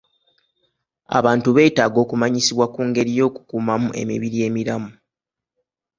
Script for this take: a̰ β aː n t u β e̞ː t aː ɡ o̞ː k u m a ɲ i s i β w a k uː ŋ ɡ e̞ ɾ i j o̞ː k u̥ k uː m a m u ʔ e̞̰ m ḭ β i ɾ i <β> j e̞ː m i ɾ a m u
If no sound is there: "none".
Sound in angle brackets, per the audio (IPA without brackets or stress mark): none